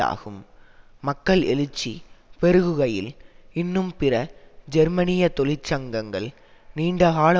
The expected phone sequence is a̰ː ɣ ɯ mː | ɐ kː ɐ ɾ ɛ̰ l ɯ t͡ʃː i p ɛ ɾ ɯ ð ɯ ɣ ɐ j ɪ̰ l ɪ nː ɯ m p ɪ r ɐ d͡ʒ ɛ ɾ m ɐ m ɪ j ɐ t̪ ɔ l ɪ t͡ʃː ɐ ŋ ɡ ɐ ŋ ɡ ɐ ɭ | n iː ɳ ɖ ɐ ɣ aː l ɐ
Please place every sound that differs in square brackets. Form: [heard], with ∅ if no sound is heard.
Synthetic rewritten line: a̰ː ɣ ɯ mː | ɐ kː ɐ [ɭ] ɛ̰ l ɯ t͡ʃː i p ɛ ɾ ɯ [ɣ] ɯ ɣ ɐ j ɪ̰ l ɪ nː ɯ m p ɪ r ɐ d͡ʒ ɛ ɾ m ɐ [n] ɪ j ɐ t̪ ɔ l ɪ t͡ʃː ɐ ŋ ɡ ɐ ŋ ɡ ɐ ɭ | n iː ɳ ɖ ɐ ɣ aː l ɐ